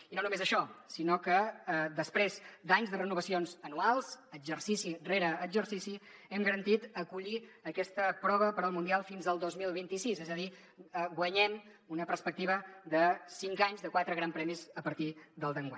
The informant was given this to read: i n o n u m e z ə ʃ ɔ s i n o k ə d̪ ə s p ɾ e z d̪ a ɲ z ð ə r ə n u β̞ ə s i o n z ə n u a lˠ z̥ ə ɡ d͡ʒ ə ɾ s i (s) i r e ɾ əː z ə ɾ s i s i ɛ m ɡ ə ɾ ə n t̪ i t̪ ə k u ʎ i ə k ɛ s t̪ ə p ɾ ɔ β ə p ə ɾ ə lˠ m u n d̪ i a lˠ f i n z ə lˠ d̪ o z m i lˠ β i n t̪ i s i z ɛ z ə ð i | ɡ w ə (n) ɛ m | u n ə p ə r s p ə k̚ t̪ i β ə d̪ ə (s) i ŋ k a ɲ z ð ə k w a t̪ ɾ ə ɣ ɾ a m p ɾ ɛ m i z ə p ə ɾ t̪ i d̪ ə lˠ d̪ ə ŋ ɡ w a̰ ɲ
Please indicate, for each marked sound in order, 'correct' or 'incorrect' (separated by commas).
correct, incorrect, correct